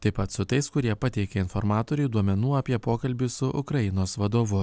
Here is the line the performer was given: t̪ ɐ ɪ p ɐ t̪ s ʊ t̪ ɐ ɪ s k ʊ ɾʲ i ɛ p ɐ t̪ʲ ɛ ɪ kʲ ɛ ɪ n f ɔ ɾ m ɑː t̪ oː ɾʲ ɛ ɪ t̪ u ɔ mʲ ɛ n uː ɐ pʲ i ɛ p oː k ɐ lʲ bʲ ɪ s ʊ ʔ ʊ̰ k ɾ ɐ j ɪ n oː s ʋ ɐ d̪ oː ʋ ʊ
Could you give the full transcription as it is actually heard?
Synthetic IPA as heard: t̪ ɐ ɪ p ɐ t̪ s ʊ t̪ ɐ ɪ s k ʊ ɾʲ i ɛ p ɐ t̪ʲ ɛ ɪ kʲ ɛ ɪ n f ɔ ɾ m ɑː t̪ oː ɾʲ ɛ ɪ d̪ u ɔ mʲ ɛ n uː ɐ pʲ i ɛ p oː k ɐ lʲ bʲ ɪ s ʊ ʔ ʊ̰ k ɾ ɐ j ɪ n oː s ʋ ɐ d̪ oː ʋ ʊ